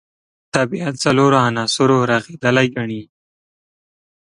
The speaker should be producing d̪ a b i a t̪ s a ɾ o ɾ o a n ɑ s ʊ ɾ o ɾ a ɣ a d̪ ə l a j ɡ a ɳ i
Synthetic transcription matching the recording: t̪ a b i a t̪ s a l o ɾ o a n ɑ s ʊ ɾ o ɾ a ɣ e d̪ ə l a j ɡ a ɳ i